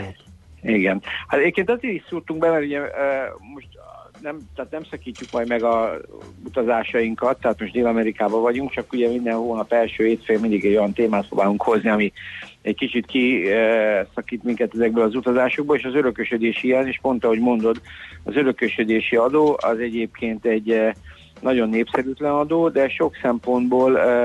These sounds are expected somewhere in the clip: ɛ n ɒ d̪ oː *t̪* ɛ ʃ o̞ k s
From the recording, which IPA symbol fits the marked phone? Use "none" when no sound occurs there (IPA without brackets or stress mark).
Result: d̪